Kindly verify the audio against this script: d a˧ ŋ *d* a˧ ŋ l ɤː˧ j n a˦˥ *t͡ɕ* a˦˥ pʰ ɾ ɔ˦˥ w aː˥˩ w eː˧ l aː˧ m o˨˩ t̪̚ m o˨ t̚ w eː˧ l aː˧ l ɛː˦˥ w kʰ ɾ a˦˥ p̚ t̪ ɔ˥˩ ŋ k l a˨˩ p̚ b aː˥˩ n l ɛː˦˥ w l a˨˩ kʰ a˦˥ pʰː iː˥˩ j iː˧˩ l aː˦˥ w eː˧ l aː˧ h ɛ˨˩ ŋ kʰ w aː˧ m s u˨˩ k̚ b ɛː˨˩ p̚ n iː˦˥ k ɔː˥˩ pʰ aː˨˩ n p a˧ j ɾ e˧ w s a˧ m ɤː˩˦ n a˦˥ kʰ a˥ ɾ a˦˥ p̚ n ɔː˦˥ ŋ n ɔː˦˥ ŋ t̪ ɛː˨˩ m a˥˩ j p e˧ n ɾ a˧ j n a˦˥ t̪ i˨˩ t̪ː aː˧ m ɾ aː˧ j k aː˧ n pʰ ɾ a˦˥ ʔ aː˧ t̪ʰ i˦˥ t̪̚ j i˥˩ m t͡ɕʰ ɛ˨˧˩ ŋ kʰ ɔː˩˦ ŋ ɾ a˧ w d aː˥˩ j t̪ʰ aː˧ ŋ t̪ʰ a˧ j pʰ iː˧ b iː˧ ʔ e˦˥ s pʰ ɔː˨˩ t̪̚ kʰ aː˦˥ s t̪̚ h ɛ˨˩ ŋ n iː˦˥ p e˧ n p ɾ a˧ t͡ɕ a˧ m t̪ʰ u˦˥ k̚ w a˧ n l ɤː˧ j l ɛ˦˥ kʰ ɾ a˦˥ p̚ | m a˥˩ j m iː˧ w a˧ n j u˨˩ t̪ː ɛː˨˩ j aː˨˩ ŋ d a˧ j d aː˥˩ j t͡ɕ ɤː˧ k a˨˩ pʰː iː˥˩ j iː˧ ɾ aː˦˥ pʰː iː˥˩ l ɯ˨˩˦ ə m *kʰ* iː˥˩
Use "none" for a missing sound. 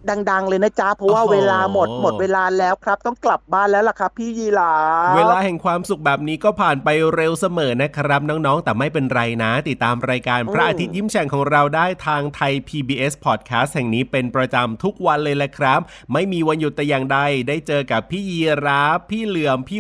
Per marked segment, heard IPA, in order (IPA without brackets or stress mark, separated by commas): d, t͡ɕ, pʰ